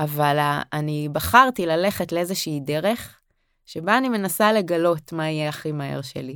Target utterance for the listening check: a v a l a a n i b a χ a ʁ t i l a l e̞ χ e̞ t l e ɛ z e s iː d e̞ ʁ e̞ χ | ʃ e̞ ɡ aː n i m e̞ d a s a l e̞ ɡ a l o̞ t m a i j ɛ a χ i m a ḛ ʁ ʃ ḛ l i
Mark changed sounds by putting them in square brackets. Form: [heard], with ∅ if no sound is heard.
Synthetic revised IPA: a v a l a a n i b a χ a ʁ t i l a l e̞ χ e̞ t l e [e] z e [ʃ] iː d e̞ ʁ e̞ χ | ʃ e̞ [b] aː n i m e̞ [n] a s a l e̞ ɡ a l o̞ t m a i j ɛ a χ i m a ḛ ʁ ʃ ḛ l i